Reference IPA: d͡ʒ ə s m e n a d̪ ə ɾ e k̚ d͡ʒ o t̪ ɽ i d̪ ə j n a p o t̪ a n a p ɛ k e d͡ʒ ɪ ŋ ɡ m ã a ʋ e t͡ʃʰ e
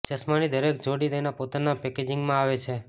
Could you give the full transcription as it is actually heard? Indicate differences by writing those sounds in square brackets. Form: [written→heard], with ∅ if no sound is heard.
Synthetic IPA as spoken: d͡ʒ ə s m [e→a] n [a→i] d̪ ə ɾ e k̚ d͡ʒ o [t̪→∅] ɽ i d̪ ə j n a p o t̪ a n a p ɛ k e d͡ʒ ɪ ŋ ɡ m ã a ʋ e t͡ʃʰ e